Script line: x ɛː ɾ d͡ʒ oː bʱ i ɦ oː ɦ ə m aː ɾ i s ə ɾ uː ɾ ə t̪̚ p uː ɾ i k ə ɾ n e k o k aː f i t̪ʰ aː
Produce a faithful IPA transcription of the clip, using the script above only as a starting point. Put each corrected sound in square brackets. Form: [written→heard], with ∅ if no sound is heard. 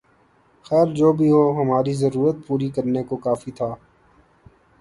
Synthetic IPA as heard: x ɛː ɾ d͡ʒ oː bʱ i ɦ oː ɦ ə m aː ɾ i [s→z] ə ɾ uː ɾ ə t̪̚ p uː ɾ i k ə ɾ n e k o k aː f i t̪ʰ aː